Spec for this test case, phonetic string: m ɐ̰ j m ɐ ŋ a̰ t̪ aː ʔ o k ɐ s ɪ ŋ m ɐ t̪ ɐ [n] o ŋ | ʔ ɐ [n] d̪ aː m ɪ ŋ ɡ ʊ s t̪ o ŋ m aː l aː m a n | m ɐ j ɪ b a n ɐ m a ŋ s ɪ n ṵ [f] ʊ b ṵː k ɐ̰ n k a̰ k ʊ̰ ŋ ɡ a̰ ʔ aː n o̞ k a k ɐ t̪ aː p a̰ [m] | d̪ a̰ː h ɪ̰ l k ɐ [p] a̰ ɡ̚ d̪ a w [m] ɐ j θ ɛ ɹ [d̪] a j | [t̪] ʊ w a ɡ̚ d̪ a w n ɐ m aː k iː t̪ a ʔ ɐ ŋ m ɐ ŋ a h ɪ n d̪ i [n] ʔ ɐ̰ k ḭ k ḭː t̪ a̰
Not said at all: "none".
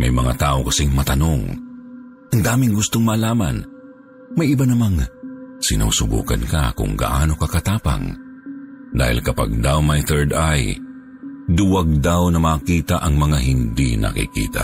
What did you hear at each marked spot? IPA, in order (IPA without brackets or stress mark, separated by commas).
n, ŋ, s, ŋ, p, m, d̪, d̪, n